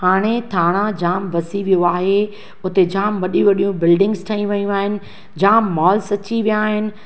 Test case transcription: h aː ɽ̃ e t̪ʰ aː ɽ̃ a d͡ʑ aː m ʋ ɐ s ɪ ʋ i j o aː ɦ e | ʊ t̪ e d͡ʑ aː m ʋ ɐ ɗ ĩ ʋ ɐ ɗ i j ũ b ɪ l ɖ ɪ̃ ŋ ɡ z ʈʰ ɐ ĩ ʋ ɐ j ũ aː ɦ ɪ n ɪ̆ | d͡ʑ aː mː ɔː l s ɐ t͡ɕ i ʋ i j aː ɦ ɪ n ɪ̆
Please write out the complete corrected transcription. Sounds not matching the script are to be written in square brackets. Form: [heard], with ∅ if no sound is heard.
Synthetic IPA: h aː ɽ̃ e t̪ʰ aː ɽ̃ a d͡ʑ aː m ʋ ɐ s [i] ʋ i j o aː ɦ e | ʊ t̪ e d͡ʑ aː m ʋ ɐ ɗ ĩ ʋ ɐ ɗ i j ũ b ɪ l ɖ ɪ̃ ŋ ɡ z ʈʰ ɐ ĩ ʋ ɐ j ũ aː ɦ ɪ n ɪ̆ | d͡ʑ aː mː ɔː l s ɐ t͡ɕ i ʋ i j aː ɦ ɪ n ɪ̆